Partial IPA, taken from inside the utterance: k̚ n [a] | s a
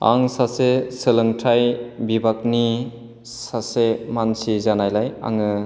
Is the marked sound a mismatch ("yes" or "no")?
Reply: yes